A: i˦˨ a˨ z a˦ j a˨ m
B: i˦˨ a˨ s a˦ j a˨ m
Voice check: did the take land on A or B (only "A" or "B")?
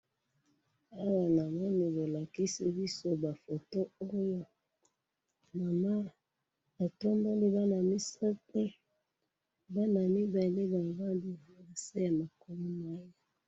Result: B